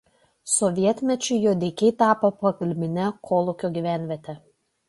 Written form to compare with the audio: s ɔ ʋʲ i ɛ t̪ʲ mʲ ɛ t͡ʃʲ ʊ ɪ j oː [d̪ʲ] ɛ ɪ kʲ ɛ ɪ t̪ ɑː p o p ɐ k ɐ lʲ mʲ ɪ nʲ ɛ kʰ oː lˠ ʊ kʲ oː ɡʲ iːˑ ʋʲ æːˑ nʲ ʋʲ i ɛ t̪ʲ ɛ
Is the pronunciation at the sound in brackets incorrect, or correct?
correct